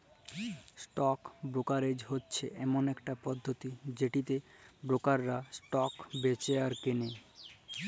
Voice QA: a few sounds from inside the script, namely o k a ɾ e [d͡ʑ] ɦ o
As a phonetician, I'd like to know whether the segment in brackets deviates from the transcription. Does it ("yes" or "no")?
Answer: no